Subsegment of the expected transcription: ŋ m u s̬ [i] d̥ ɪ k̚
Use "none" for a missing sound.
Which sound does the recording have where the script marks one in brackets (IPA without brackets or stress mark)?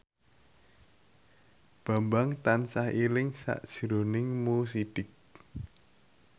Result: i